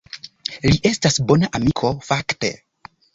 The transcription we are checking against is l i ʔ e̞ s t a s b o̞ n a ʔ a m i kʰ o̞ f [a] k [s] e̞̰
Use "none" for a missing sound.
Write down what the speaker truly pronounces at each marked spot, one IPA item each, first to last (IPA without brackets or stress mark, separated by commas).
a, t